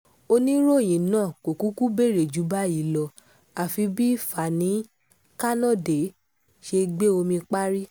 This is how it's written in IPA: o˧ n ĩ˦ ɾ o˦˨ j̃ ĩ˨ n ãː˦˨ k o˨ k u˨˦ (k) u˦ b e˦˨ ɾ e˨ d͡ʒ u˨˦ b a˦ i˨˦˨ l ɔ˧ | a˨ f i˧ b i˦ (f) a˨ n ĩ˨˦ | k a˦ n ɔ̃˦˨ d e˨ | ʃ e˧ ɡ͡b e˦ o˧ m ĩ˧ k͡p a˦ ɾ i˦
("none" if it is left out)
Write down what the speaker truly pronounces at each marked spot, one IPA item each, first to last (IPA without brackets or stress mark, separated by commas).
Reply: k, f